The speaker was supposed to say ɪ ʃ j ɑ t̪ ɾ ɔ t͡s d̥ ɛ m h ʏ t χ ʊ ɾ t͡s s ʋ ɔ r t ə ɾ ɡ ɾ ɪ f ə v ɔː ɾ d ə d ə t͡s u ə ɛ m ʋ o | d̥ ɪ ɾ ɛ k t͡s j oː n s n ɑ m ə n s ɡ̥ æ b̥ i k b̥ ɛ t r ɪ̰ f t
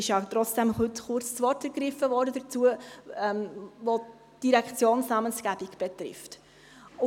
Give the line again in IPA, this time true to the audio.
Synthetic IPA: ɪ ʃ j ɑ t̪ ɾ ɔ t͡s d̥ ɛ m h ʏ t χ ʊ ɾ t͡s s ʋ ɔ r t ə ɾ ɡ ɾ ɪ f ə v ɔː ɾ d ə d ə t͡s u ə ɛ m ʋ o | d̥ i ɾ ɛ k t͡s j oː n s n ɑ m ə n s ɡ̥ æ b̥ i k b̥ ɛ t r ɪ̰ f t

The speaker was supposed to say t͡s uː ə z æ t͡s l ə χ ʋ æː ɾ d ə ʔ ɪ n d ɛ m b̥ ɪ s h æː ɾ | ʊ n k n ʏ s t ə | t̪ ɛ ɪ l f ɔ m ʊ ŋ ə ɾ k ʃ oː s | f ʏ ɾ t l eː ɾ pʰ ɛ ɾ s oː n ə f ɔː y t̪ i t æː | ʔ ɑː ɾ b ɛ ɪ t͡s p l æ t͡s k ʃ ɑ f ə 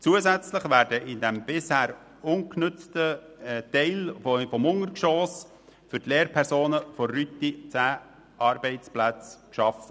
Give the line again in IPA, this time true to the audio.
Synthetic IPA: t͡s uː ə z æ t͡s l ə χ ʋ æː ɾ d ə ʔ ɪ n d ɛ m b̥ ɪ s h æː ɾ | ʊ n k n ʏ t͡s t ə | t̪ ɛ ɪ l f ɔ m ʊ ŋ ə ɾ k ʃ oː s | f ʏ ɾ t l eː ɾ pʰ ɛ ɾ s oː n ə f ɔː y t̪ i t͡s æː | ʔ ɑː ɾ b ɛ ɪ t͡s p l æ t͡s k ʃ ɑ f ə

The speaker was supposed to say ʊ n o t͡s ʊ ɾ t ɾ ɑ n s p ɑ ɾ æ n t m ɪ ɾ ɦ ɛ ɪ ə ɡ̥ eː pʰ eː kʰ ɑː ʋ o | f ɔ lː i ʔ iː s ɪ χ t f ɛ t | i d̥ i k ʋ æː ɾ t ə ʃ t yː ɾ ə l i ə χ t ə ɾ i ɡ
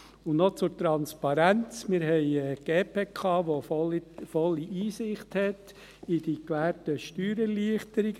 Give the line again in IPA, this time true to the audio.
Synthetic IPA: ʊ n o t͡s ʊ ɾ t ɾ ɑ n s p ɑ ɾ æ n t͡s m ɪ ɾ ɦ ɛ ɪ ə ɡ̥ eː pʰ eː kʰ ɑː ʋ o | f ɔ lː i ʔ iː s ɪ χ t h ɛ t | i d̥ i k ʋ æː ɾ t ə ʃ t yː ɾ ə l i ə χ t ə ɾ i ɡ

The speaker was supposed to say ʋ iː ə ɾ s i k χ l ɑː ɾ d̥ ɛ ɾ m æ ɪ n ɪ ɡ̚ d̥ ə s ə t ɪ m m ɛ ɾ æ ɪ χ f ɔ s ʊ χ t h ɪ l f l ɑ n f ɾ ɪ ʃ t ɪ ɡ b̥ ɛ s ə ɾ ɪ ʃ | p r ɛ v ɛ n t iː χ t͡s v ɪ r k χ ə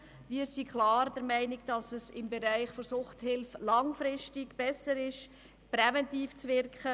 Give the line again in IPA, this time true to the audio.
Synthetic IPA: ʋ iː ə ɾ s i k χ l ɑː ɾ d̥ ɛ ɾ m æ ɪ n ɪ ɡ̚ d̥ ɑ s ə s ɪ m b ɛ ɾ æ ɪ χ f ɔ s ʊ χ t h ɪ l f l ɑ ŋ f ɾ ɪ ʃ t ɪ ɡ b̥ ɛ s ə ɾ ɪ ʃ | p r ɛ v ɛ n t iː f t͡s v ɪ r k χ ə

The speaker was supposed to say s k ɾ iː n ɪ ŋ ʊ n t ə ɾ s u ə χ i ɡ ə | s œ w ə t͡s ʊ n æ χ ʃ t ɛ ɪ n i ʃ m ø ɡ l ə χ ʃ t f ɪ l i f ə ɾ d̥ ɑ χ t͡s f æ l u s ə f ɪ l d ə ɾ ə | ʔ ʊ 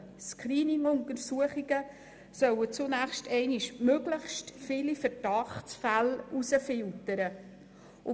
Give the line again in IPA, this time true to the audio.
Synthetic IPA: s k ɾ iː n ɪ ŋ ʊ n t ə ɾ s u ə χ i ɡ ə | s œ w ə t͡s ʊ n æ χ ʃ t ɛ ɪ n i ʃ m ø ɡ l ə χ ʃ t f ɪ l i f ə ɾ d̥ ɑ χ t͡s f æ l u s ə f ɪ l t ə ɾ ə | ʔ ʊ

